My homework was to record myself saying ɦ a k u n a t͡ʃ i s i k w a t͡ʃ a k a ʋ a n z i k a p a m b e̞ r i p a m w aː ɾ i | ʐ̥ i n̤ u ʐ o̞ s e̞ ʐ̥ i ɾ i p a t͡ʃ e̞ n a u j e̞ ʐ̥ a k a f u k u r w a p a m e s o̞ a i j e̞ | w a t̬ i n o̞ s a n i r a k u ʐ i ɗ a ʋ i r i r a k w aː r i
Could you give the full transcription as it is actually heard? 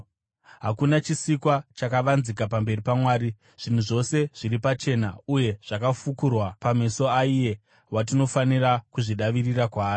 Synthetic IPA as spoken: ɦ a k u n a t͡ʃ i s i k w a t͡ʃ a k a ʋ a n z i k a p a m b e̞ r i p a m w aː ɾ i | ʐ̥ i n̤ u ʐ o̞ s e̞ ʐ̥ i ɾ i p a t͡ʃ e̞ n a u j e̞ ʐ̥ a k a f u k u r w a p a m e s o̞ a i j e̞ | w a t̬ i n o̞ f a n i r a k u ʐ i ɗ a ʋ i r i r a k w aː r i